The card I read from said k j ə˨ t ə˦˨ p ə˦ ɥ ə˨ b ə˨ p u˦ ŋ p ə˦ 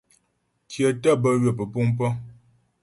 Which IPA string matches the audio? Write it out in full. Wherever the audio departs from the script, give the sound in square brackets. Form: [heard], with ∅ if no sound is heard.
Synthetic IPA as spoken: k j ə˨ t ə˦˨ [b] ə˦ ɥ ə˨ [p] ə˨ p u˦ ŋ p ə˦